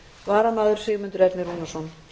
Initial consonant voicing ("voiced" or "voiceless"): voiced